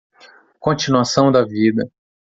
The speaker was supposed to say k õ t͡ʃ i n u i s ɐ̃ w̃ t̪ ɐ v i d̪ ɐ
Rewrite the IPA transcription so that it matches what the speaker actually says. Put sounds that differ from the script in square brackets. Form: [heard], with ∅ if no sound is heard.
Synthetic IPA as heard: k õ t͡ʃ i n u [a] s ɐ̃ w̃ [d̪] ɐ v i d̪ ɐ